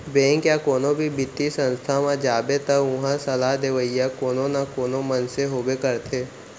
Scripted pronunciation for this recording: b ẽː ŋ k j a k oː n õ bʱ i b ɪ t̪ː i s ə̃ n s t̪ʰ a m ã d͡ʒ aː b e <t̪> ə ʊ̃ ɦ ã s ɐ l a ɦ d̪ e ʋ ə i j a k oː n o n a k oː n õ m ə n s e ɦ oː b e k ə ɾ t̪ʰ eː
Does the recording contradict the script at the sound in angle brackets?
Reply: no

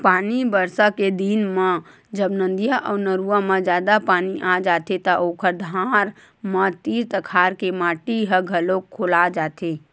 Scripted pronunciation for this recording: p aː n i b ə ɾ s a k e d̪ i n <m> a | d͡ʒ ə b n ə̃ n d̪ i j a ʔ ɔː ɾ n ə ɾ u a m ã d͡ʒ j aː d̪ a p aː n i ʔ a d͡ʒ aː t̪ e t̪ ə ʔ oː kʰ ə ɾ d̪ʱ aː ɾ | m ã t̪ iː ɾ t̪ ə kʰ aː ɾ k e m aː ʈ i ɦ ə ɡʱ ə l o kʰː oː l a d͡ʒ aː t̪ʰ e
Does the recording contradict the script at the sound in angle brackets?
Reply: no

